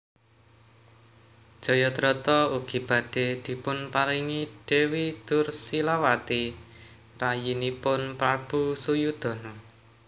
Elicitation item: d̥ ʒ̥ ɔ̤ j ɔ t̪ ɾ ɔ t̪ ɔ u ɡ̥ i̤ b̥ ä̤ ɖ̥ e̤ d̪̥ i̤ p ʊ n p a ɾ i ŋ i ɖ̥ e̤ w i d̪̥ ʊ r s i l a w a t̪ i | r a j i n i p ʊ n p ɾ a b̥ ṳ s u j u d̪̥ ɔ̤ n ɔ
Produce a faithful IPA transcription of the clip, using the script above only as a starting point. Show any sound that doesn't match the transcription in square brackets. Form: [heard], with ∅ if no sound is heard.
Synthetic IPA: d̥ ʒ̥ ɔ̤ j ɔ t̪ ɾ ɔ t̪ ɔ u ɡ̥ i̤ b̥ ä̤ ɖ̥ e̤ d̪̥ i̤ p ʊ n p a ɾ i ŋ i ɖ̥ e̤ w i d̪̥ ʊ r s i l a w a t̪ i | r a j i n i p ʊ n p ɾ a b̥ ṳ s u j u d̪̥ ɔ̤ n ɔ

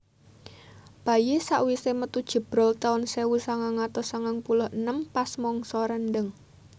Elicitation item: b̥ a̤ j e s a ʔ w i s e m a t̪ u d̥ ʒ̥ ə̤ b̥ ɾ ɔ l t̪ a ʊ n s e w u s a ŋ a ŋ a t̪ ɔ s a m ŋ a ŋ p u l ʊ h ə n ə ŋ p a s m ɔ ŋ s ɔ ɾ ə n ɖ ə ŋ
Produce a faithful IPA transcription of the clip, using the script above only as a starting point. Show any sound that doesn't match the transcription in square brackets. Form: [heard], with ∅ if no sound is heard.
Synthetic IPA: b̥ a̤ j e s a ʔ w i s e m [ə] t̪ u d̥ ʒ̥ ə̤ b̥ ɾ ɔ l t̪ a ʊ n s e w u s a ŋ a ŋ a t̪ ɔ s a [∅] ŋ a ŋ p u l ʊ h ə n ə [m] p a s m ɔ ŋ s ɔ ɾ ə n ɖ ə ŋ

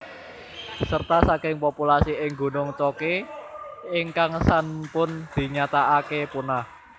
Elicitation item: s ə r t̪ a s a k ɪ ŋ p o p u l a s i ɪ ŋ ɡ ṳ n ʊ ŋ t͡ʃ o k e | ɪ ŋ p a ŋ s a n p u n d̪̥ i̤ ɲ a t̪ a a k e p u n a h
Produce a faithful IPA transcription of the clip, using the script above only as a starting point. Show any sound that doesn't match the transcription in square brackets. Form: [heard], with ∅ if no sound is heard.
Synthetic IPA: s ə r t̪ a s a k ɪ ŋ p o p u l a s i ɪ ŋ ɡ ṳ n ʊ ŋ t͡ʃ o k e | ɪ ŋ [k] a ŋ s a n p [ʊ] n d̪̥ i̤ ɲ a t̪ a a k e p u n a h

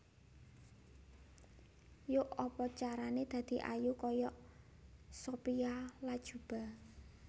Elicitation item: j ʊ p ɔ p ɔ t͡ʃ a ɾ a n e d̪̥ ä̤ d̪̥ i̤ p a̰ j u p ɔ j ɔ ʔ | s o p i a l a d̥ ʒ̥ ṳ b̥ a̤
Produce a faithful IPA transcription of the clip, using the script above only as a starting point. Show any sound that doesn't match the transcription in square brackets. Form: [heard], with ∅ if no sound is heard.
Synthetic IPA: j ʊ [ʔ] ɔ p ɔ t͡ʃ a ɾ a n e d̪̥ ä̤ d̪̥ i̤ [ʔ] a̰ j u [k] ɔ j ɔ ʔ | s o p i a l a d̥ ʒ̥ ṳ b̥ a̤

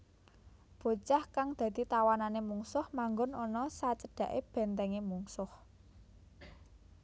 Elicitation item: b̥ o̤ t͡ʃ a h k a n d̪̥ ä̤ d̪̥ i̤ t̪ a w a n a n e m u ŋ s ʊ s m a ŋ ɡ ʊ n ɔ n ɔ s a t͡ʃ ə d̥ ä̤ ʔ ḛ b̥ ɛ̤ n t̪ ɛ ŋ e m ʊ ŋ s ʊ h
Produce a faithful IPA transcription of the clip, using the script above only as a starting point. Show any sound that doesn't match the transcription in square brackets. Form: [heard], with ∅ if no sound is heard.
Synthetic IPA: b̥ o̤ t͡ʃ a h k a [ŋ] d̪̥ ä̤ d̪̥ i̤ t̪ a w a n a n e m u ŋ s ʊ [h] m a ŋ ɡ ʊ n ɔ n ɔ s a t͡ʃ ə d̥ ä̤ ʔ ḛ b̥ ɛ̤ n t̪ ɛ ŋ e m [u] ŋ s ʊ h

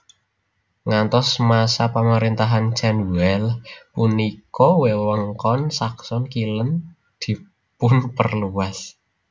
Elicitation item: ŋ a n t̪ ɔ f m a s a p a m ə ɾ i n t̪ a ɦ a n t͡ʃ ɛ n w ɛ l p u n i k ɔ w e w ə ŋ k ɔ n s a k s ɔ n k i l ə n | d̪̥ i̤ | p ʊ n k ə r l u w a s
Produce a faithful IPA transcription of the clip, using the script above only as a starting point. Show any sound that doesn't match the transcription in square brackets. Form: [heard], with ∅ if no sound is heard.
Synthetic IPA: ŋ a n t̪ ɔ [s] m a s a p a m ə ɾ i n t̪ a ɦ a n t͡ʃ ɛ n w ɛ l p u n i k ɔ w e w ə ŋ k ɔ n s a k s ɔ n k i l ə n | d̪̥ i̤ | p ʊ n [p] ə r l u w a s

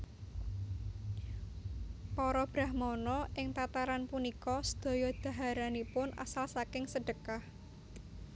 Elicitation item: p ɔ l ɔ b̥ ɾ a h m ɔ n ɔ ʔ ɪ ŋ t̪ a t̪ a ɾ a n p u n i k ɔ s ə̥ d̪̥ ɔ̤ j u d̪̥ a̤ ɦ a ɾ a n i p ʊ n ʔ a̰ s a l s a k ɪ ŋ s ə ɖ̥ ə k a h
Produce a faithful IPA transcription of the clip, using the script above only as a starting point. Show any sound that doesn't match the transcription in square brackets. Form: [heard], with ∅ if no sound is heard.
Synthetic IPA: p ɔ [ɾ] ɔ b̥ ɾ a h m ɔ n ɔ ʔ ɪ ŋ t̪ a t̪ a ɾ a n p u n i k ɔ s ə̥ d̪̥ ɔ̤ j [ɔ] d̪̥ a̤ ɦ a ɾ a n i p ʊ n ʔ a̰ s a l s a k ɪ ŋ s ə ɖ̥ ə k a h

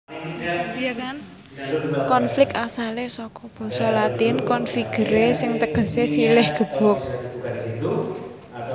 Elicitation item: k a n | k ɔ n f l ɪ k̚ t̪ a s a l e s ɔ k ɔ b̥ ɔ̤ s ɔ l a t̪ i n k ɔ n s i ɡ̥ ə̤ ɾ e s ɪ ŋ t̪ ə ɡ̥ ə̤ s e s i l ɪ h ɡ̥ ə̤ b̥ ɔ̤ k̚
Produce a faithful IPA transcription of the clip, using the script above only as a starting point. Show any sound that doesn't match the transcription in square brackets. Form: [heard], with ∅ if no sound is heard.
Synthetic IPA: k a n | k ɔ n f l ɪ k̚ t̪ a s a l e s ɔ k ɔ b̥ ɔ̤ s ɔ l a t̪ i n k ɔ n [f] i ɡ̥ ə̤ ɾ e s ɪ ŋ t̪ ə ɡ̥ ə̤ s e s i l ɪ h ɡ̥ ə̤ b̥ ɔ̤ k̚

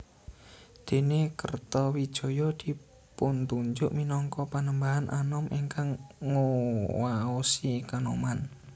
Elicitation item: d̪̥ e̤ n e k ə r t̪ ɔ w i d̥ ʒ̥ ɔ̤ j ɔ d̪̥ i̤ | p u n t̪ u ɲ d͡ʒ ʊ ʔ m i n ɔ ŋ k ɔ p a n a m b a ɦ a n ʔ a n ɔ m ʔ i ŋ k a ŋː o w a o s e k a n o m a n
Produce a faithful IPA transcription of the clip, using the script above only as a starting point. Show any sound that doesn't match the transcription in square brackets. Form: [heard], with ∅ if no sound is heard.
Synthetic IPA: d̪̥ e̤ n e k ə r t̪ ɔ w i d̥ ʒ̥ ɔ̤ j ɔ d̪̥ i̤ | p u n t̪ u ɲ d͡ʒ ʊ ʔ m i n ɔ ŋ k ɔ p a n [ə] m b a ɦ a n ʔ a n ɔ m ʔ i ŋ k a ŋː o w a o s [i] k a n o m a n

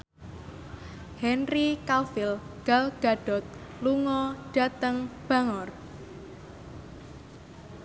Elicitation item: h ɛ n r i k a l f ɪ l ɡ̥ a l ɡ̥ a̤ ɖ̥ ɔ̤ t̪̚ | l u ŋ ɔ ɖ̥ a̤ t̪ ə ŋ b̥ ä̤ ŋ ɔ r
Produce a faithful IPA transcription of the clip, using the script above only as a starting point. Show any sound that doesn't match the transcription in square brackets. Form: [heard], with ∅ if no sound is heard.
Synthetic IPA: h ɛ n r i k a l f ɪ l ɡ̥ a l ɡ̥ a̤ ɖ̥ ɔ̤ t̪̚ | l u ŋ ɔ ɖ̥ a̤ t̪ ə ŋ b̥ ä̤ ŋ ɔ r

